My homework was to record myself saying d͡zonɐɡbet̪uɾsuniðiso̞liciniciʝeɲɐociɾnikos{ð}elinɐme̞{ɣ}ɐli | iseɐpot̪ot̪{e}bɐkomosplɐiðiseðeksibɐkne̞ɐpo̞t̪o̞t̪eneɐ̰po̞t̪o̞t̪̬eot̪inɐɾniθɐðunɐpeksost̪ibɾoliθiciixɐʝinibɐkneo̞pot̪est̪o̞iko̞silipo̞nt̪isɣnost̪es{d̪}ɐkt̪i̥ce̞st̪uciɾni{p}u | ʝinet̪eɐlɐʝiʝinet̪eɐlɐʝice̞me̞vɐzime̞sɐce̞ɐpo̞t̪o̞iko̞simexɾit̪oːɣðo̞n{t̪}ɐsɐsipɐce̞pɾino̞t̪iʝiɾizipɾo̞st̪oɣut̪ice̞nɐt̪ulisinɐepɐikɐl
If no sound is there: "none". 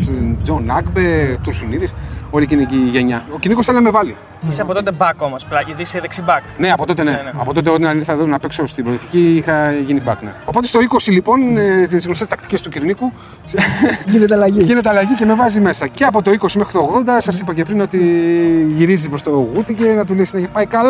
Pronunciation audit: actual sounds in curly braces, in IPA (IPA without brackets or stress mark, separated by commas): θ, v, e, t̪, k, d̪